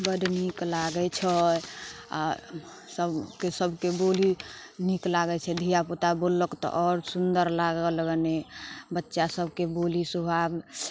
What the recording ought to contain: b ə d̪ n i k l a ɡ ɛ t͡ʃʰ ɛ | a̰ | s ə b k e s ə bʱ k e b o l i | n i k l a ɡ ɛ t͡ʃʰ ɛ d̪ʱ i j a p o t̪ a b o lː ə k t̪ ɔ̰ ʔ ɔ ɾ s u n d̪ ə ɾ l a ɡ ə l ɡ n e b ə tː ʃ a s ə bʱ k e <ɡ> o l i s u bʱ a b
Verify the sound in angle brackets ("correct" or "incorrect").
incorrect